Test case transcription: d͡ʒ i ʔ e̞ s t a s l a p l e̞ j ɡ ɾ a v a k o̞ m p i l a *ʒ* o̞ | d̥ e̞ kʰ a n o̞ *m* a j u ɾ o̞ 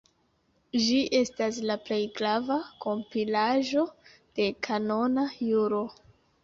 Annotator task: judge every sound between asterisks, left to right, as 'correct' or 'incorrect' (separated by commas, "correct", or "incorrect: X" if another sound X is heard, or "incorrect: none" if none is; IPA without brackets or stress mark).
correct, incorrect: n